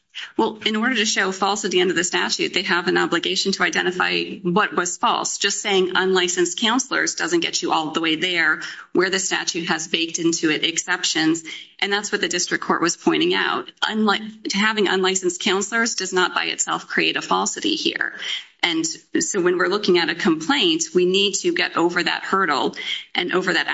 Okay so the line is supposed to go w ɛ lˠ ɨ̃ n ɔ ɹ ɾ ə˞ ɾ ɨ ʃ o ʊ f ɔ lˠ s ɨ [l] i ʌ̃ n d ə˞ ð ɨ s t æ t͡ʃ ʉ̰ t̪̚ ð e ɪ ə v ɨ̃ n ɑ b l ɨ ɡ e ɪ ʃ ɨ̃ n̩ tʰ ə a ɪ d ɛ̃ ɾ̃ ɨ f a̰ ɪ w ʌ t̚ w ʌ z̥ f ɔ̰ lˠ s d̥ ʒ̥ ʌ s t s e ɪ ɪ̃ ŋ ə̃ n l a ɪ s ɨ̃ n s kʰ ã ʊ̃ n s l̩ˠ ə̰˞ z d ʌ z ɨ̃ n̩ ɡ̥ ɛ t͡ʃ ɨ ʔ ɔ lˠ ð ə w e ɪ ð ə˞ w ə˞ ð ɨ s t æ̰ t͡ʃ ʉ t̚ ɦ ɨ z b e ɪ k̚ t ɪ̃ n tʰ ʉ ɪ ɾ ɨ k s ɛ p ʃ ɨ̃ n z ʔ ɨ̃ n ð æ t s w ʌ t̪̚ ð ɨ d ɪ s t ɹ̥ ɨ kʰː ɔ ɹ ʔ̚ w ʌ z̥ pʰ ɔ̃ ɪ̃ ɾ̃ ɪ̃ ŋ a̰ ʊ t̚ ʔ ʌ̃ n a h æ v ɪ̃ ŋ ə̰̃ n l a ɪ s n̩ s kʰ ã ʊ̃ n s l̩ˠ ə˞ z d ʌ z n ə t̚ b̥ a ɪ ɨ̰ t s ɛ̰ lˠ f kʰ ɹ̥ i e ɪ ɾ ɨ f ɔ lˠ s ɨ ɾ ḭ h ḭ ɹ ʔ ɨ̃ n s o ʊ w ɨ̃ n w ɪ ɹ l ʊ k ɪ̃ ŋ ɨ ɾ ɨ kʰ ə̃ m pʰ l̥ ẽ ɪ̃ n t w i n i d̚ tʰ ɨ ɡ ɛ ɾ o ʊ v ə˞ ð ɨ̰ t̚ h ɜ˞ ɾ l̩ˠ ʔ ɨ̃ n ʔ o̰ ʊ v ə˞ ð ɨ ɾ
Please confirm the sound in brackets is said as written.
no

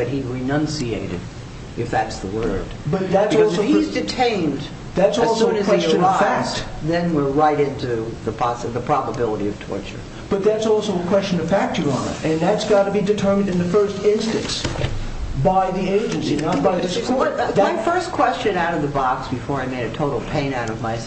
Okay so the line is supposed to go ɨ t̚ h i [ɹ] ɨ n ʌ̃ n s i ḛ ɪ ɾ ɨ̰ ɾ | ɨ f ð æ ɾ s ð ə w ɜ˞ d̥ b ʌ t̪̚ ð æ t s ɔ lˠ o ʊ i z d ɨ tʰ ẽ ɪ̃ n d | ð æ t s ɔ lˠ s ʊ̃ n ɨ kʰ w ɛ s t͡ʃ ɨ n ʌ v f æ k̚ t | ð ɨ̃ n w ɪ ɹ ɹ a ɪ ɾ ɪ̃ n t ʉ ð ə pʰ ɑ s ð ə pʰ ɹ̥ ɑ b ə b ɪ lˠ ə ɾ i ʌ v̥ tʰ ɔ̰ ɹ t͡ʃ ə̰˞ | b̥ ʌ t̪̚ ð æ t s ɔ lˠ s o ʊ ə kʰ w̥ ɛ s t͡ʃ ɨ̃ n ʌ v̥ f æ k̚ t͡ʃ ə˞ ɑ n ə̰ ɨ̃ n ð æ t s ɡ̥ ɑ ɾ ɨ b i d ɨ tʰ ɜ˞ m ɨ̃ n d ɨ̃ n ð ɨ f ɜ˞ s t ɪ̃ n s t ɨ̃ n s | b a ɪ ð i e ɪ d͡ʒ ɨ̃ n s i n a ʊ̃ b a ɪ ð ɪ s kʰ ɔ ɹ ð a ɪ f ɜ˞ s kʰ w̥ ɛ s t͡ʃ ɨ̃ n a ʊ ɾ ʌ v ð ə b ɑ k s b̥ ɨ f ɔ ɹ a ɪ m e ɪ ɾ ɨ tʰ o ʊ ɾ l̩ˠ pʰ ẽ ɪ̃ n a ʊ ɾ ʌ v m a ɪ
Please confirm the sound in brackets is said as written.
yes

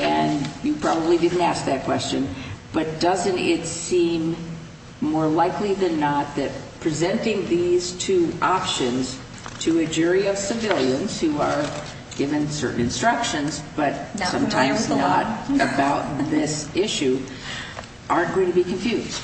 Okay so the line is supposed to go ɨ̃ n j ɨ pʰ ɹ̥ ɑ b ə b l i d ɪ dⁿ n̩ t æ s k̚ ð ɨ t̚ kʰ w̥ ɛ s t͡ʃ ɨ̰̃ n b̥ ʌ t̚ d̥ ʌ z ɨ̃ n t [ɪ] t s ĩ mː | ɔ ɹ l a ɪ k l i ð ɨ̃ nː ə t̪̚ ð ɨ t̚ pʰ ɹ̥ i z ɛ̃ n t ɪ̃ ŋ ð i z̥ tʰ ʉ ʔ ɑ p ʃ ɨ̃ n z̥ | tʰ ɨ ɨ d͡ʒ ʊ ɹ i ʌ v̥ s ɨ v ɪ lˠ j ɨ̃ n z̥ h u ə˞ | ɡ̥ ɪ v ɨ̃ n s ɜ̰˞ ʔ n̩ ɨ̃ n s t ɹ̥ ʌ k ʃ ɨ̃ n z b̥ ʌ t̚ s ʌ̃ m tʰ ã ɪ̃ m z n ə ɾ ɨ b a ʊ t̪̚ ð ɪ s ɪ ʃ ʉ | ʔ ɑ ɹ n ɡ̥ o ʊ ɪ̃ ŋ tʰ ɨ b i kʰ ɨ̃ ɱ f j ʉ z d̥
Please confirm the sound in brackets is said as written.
yes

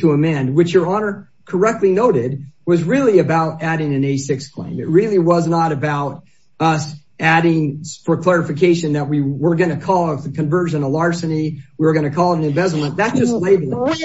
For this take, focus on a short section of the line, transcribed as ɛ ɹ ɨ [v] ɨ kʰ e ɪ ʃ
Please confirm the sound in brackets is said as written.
no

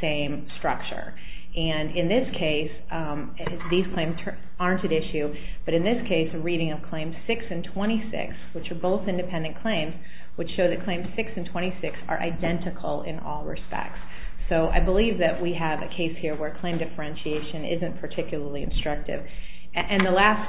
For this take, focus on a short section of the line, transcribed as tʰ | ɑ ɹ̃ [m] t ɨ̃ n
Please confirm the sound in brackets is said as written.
no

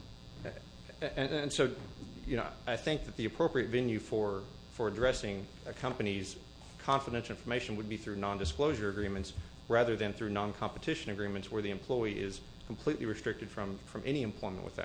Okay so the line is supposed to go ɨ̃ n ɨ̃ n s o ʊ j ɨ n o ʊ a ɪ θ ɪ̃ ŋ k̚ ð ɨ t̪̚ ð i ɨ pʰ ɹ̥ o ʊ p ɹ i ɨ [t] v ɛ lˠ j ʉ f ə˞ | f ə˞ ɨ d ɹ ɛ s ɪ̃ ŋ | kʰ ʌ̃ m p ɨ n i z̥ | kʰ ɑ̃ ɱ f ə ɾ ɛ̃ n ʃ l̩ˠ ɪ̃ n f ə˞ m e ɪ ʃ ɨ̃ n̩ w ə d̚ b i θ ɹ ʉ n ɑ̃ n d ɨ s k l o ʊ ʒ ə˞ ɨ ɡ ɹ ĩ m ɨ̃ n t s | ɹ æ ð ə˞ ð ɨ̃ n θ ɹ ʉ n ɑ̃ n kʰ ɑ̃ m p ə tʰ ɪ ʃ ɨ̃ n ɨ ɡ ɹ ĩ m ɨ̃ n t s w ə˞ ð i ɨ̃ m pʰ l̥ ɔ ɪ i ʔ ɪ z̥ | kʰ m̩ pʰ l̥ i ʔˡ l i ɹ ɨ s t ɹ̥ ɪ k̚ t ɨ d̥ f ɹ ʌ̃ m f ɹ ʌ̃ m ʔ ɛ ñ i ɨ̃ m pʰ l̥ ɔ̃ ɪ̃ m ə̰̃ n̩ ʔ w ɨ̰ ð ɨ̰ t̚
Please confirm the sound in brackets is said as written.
yes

